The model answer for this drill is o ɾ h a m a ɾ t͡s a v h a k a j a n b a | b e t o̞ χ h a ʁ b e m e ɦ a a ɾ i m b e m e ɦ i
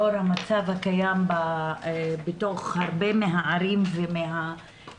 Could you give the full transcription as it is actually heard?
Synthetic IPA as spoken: o ɾ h a m a t͡s a v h a k a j a m b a | b e t o̞ χ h a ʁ b e m e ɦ a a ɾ i m v e m e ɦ a